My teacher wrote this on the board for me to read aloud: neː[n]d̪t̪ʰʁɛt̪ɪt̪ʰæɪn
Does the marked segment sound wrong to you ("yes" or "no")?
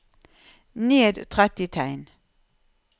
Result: yes